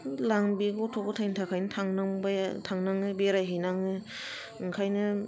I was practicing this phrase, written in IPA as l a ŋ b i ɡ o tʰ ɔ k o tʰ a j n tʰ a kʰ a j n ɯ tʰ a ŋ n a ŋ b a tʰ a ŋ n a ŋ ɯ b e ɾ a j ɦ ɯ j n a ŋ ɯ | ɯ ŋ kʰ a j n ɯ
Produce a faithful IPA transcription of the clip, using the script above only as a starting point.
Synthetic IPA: l a ŋ b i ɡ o tʰ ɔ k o tʰ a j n tʰ a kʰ a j n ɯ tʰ a ŋ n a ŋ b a tʰ a ŋ n a ŋ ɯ b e ɾ a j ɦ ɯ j n a ŋ ɯ | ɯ ŋ kʰ a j n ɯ